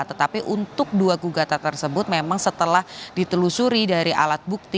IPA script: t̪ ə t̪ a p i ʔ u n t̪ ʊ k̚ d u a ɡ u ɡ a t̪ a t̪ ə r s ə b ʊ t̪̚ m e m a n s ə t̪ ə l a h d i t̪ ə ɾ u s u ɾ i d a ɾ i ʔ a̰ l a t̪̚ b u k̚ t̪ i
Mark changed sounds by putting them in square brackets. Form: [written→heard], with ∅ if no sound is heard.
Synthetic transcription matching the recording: t̪ ə t̪ a p i ʔ u n t̪ ʊ k̚ d u a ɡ u ɡ a t̪ a t̪ ə r s ə b ʊ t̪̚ m e m a [n→ŋ] s ə t̪ ə l a h d i t̪ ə [ɾ→l] u s u ɾ i d a ɾ i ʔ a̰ l a t̪̚ b u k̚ t̪ i

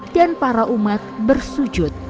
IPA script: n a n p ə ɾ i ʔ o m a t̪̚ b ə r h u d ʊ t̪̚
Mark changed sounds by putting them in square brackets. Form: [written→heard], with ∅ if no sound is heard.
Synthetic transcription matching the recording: [n→d] a n p [ə→a] ɾ [i→a] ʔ [o→u] m a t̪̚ b ə r [h→s] u [d→d͡ʒ] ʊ t̪̚

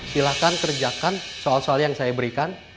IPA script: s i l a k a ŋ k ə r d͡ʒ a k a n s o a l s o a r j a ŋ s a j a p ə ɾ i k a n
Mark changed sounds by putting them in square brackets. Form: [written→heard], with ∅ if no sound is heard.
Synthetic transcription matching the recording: s i l a k a [ŋ→n] k ə r d͡ʒ a k a n s o a l s o a [r→l] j a ŋ s a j a [p→b] ə ɾ i k a n

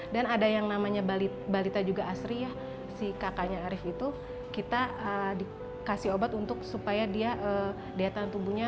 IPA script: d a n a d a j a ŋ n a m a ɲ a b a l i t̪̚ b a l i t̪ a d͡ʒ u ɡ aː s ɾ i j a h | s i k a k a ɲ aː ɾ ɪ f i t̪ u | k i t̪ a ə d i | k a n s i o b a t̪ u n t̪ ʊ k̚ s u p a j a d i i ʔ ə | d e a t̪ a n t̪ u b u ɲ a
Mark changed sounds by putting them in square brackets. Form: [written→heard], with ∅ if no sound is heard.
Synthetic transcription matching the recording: d a n a d a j a ŋ n a m a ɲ a b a l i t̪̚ b a l i t̪ a d͡ʒ u ɡ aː s ɾ i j a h | s i k a k a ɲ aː ɾ ɪ f i t̪ u | k i t̪ a ə d i | k a [n→∅] s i o b a t̪ u n t̪ ʊ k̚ s u p a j a d i [i→a] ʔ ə | d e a t̪ a n t̪ u b u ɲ a

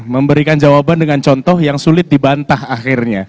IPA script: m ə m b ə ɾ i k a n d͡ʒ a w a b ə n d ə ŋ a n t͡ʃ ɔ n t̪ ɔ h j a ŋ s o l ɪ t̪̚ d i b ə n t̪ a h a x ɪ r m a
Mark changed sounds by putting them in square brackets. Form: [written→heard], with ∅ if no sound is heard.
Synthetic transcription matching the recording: m ə m b ə ɾ i k a n d͡ʒ a w a b [ə→a] n d ə ŋ a n t͡ʃ ɔ n t̪ ɔ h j a ŋ s [o→u] l ɪ t̪̚ d i b [ə→a] n t̪ a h a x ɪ r [m→ɲ] a

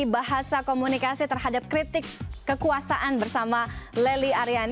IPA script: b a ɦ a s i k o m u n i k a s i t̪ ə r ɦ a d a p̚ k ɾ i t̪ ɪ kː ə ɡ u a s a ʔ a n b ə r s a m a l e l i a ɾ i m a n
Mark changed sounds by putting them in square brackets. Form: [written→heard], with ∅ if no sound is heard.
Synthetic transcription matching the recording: b a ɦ a s [i→a] k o m u n i k a s i t̪ ə r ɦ a d a p̚ k ɾ i t̪ ɪ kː ə [ɡ→k] u a s a ʔ a n b ə r s a m a l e l i a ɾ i [m→∅] a n

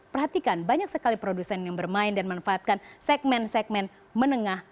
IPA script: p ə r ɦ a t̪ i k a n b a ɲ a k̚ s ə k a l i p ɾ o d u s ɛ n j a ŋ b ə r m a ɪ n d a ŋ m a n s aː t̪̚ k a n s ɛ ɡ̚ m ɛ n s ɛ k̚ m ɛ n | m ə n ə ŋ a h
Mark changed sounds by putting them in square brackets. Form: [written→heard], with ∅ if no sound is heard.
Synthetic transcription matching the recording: p ə r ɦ a t̪ i k a n b a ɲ a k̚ s ə k a l i p ɾ o d u s ɛ n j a ŋ b ə r m a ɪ n d a [ŋ→n] m a n [s→f] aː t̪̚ k a n s ɛ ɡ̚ m ɛ n s ɛ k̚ m ɛ n | m ə n ə ŋ a h

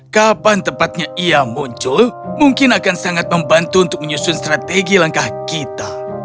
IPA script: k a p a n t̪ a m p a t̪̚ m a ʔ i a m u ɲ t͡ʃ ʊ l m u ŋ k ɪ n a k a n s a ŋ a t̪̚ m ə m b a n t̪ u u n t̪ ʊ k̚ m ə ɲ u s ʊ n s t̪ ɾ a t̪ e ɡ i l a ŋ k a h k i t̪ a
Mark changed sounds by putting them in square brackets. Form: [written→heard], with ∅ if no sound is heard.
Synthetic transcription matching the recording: k a p a n t̪ [a→ə] m p a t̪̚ [m→ɲ] a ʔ i a m u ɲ t͡ʃ ʊ l m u ŋ k ɪ n a k a n s a ŋ a t̪̚ m ə m b a n t̪ u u n t̪ ʊ k̚ m ə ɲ u s ʊ n s t̪ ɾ a t̪ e ɡ i l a ŋ k a h k i t̪ a

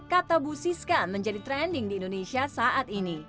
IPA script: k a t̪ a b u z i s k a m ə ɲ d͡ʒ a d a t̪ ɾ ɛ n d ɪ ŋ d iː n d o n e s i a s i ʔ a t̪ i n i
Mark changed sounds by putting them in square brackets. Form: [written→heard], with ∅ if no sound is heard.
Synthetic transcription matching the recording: k a t̪ a b u [z→s] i s k a m ə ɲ d͡ʒ a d [a→i] t̪ ɾ ɛ n d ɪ ŋ d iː n d o n e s i a s [i→a] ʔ a t̪ i n i

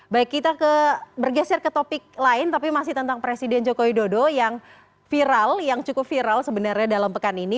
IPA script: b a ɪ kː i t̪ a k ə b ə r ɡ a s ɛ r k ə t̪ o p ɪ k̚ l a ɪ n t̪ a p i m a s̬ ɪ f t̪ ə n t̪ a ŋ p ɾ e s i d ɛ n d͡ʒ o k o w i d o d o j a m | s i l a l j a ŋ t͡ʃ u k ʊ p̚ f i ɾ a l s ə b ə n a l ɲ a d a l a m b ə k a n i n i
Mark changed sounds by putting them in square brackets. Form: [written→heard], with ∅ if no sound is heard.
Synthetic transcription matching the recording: b a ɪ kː i t̪ a k ə b ə r ɡ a s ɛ r k ə t̪ o p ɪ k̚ l a ɪ n t̪ a p i m a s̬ ɪ [f→h] t̪ ə n t̪ a ŋ p ɾ e s i d ɛ n d͡ʒ o k o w i d o d o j a [m→ŋ] | [s→f] i [l→ɾ] a l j a ŋ t͡ʃ u k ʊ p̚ f i ɾ a l s ə b ə n a [l→r] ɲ a d a l a m [b→p] ə k a n i n i

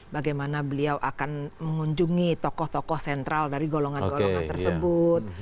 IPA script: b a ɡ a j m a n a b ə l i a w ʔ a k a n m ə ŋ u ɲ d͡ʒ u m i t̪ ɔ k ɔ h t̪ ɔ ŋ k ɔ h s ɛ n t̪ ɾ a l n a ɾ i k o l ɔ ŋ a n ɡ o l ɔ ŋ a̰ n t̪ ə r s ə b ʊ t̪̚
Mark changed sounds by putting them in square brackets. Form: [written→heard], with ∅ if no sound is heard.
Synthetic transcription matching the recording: b a ɡ a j m a n a b ə l i a w ʔ a k a n m ə ŋ u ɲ d͡ʒ u [m→ŋ] i t̪ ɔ k ɔ h t̪ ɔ [ŋ→∅] k ɔ h s ɛ n t̪ ɾ a l [n→d] a ɾ i [k→ɡ] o l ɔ ŋ a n ɡ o l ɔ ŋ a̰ n t̪ ə r s ə b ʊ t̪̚

